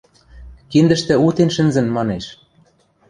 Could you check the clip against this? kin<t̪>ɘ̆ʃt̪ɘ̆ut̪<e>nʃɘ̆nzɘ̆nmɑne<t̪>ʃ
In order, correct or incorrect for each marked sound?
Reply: incorrect: d̪, correct, incorrect: none

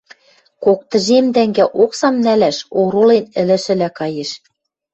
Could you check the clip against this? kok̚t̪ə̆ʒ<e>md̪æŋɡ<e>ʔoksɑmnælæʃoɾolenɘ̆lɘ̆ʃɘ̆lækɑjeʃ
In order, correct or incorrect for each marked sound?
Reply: correct, incorrect: æ

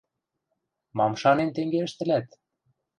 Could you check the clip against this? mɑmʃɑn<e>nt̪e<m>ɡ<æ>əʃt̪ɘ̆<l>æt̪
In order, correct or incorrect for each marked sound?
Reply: correct, incorrect: ŋ, incorrect: e, correct

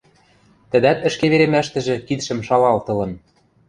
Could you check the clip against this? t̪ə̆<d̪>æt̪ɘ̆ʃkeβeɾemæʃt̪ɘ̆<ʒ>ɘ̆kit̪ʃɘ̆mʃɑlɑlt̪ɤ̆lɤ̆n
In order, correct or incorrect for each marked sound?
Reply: correct, correct

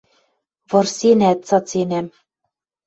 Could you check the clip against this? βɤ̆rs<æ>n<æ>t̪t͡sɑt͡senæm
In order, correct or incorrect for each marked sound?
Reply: incorrect: e, correct

